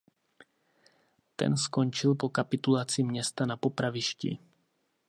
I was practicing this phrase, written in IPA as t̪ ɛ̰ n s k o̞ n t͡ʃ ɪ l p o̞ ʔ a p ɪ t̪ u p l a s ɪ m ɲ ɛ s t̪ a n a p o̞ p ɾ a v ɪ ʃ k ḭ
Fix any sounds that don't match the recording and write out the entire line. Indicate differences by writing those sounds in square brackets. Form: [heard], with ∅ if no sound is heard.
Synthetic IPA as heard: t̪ ɛ̰ n s k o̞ n t͡ʃ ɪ l p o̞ [k] a p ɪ t̪ u [∅] l a [t͡s] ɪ m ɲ ɛ s t̪ a n a p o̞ p ɾ a v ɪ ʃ [c] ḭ